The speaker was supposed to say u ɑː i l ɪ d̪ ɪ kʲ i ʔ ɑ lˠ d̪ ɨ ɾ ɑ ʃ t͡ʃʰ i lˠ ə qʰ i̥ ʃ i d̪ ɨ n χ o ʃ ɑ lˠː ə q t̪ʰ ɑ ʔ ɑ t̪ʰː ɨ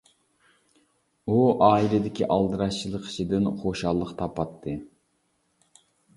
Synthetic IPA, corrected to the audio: u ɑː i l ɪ d̪ ɪ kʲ i ʔ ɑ lˠ d̪ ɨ ɾ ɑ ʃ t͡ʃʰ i lˠ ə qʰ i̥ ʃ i d̪ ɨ n χ o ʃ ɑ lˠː ə q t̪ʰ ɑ p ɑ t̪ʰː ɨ